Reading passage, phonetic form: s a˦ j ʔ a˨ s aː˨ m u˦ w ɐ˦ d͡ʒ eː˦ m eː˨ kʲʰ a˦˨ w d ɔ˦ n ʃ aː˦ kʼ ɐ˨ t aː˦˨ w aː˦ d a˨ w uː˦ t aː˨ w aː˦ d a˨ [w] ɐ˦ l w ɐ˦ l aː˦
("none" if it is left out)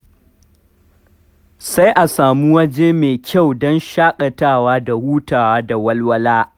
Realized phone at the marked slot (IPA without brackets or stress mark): w